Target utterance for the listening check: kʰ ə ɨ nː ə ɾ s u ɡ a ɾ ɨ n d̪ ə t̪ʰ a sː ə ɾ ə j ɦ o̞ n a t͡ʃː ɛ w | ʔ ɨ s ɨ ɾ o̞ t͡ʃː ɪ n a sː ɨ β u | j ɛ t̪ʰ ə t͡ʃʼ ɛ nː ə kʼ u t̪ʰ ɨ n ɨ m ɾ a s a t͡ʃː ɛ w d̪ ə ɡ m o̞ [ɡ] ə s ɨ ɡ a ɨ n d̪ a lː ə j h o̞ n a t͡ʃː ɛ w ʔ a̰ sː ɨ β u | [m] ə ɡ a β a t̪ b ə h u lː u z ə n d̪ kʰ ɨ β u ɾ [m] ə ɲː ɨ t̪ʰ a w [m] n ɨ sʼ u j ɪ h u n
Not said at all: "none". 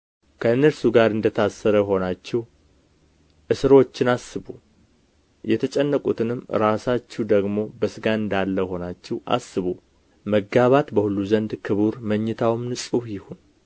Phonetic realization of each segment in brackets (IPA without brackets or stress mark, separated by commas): b, m, m, m